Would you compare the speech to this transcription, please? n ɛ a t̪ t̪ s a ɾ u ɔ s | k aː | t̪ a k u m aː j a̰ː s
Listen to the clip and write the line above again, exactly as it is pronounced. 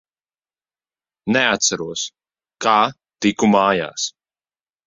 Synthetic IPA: n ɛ a t̪ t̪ s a ɾ u ɔ s | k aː | t̪ i k u m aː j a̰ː s